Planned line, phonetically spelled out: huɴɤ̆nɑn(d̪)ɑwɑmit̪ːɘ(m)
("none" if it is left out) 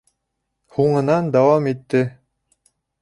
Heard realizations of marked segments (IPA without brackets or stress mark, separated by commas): d̪, none